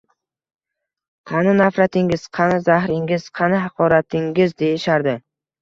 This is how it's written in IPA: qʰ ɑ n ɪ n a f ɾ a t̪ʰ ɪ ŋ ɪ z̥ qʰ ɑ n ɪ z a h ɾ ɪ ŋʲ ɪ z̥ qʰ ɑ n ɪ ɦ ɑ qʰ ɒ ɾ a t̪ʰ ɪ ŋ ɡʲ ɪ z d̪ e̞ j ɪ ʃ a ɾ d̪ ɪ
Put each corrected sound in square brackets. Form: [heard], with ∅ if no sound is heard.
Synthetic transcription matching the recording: qʰ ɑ n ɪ n a f ɾ a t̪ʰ ɪ ŋ ɪ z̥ qʰ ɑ n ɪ z a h ɾ ɪ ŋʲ ɪ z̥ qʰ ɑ n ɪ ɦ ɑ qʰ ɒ ɾ a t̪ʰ ɪ ŋ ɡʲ ɪ z d̪ e̞ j ɪ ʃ a ɾ d̪ ɪ

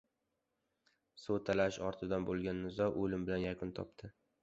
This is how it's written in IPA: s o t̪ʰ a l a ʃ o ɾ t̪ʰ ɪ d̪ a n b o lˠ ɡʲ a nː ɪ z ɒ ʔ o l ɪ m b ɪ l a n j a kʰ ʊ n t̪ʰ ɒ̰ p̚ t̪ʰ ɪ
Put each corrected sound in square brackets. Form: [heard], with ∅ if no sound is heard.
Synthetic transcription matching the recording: s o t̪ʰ a l a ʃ [ɒ] ɾ t̪ʰ ɪ d̪ a n b o lˠ ɡʲ a nː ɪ z ɒ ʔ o l ɪ m b ɪ l a n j a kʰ ʊ n t̪ʰ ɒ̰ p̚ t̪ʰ ɪ

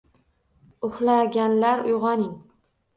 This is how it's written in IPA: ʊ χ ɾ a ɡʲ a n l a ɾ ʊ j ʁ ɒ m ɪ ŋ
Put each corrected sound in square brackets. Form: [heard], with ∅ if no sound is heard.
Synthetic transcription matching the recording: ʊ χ [l] a ɡʲ a n l a ɾ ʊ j ʁ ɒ [n] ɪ ŋ

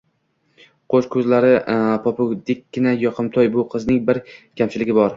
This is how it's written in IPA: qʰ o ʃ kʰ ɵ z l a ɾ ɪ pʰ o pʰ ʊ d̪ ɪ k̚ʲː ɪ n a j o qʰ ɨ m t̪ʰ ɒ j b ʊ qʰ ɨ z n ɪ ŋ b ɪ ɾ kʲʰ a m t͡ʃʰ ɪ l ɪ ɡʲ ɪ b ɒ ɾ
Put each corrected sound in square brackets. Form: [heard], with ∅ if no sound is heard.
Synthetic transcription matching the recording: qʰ o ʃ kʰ ɵ z l a ɾ ɪ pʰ [ɒ] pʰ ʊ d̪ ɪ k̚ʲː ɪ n a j [ɒ] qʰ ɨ m t̪ʰ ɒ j b ʊ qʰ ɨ z n ɪ ŋ b ɪ ɾ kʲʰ a m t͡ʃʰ ɪ l ɪ ɡʲ ɪ b ɒ ɾ

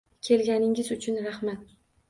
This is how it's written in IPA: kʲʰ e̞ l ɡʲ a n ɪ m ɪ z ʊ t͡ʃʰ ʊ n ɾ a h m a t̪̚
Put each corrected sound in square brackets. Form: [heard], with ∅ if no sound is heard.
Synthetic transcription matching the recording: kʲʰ e̞ l ɡʲ a n ɪ [ŋ] ɪ z ʊ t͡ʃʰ ʊ n ɾ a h m a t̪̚

